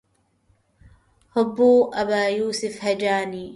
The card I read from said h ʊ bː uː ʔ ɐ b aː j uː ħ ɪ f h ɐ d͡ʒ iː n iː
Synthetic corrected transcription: h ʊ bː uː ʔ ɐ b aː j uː s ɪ f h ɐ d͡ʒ aː n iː